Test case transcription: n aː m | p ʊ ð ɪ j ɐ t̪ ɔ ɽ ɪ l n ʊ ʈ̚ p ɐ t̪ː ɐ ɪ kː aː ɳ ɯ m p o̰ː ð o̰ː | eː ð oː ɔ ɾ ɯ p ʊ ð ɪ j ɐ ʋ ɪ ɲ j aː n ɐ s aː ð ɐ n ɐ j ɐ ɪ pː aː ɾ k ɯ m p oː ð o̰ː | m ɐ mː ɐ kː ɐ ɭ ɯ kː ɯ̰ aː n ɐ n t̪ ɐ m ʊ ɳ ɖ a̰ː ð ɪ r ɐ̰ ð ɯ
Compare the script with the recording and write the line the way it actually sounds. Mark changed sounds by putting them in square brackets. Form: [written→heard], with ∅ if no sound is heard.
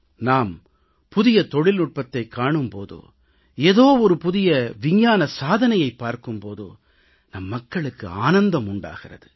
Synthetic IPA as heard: n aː m | p ʊ ð ɪ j ɐ t̪ ɔ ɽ ɪ l n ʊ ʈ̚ p ɐ t̪ː ɐ ɪ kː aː ɳ ɯ m p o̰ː ð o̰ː | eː ð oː ɔ ɾ ɯ p ʊ ð ɪ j ɐ ʋ ɪ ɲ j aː n ɐ s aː ð ɐ n ɐ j ɐ ɪ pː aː ɾ k ɯ m p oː ð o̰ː | [m→n] ɐ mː ɐ kː ɐ ɭ ɯ kː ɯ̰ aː n ɐ n [t̪→d̪] ɐ m ʊ ɳ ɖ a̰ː [ð→ɣ] ɪ r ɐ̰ ð ɯ